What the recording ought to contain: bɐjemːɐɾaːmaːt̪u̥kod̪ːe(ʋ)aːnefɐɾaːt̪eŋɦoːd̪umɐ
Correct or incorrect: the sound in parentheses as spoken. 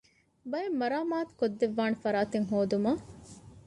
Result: incorrect: ʋː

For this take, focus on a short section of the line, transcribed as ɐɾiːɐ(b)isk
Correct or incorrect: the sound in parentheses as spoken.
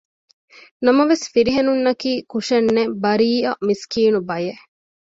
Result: incorrect: m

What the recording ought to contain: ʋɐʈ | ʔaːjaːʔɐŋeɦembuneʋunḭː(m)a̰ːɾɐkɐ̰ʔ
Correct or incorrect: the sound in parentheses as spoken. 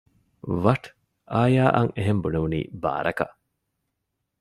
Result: incorrect: b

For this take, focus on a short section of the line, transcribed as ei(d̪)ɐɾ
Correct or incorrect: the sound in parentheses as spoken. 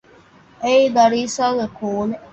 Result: correct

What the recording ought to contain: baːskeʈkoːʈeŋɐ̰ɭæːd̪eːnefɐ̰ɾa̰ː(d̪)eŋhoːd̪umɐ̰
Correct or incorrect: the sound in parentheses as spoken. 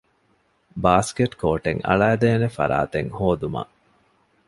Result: incorrect: t̪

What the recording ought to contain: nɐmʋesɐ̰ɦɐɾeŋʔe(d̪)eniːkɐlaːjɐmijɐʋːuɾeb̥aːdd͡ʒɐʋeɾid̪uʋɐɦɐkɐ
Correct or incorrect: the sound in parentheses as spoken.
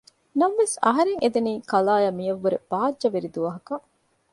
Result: correct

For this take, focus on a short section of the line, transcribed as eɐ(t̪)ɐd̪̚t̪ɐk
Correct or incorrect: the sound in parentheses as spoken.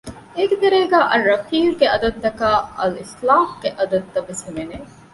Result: incorrect: d̪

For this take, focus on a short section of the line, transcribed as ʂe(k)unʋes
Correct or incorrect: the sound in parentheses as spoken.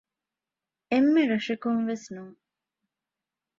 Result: correct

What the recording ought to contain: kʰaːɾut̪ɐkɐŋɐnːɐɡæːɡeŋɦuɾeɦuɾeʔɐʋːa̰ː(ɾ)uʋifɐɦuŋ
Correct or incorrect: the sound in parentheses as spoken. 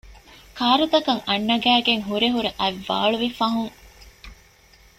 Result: incorrect: ɭ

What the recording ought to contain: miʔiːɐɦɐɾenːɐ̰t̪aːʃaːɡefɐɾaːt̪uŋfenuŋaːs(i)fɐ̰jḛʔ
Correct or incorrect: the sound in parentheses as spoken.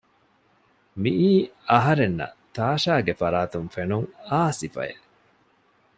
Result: correct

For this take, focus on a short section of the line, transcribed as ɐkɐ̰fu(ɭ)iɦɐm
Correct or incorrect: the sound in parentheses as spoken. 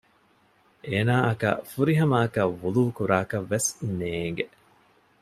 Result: incorrect: ɾ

